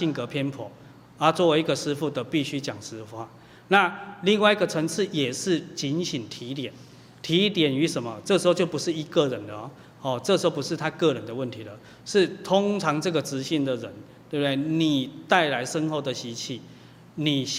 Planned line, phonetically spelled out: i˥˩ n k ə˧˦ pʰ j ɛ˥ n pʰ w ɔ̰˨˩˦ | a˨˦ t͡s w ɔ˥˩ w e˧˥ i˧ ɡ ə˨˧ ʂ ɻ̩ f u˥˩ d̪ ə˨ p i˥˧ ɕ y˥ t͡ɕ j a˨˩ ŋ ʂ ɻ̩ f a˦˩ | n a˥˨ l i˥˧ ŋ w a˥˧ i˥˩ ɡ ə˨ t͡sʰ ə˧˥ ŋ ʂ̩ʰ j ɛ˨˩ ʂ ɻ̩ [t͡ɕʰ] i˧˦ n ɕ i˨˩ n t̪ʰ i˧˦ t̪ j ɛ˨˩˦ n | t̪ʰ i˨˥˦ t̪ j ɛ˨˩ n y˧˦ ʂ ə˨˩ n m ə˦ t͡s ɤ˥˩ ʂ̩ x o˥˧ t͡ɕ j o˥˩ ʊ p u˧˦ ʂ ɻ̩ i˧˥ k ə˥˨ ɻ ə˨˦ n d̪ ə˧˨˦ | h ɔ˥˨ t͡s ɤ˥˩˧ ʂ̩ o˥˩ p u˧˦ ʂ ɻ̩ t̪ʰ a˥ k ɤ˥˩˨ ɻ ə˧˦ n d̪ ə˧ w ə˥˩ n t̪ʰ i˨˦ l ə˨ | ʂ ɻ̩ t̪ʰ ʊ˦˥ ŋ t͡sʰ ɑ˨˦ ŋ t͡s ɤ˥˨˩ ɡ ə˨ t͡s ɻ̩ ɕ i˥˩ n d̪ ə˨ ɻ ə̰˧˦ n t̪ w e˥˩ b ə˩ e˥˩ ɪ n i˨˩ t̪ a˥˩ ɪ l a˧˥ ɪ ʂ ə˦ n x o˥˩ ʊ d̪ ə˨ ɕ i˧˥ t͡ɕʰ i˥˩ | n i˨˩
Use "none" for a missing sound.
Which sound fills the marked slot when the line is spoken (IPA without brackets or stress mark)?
t͡ɕ